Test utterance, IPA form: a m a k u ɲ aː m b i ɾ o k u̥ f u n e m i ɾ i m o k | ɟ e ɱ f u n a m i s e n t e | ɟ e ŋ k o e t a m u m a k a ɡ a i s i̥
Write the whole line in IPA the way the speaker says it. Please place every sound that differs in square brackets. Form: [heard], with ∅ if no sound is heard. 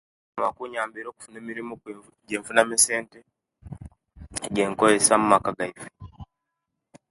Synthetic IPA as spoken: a m a k u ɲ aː m b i ɾ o k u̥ f u n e m i ɾ i m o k | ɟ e ɱ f u n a m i s e n t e | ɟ e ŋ k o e [s] a m u m a k a ɡ a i [f] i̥